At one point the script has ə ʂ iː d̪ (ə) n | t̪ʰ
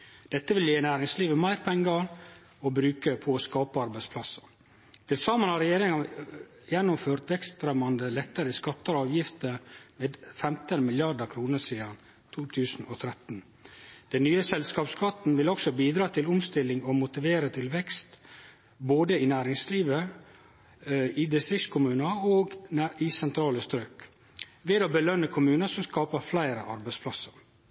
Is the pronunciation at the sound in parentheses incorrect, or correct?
incorrect